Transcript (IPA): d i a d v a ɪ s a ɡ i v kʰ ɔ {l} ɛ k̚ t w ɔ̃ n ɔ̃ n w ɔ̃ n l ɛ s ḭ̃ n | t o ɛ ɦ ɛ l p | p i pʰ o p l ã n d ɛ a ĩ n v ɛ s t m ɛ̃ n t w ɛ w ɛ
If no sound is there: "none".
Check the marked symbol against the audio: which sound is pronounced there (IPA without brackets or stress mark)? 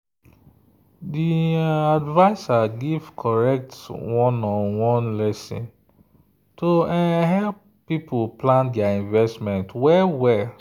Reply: ɹ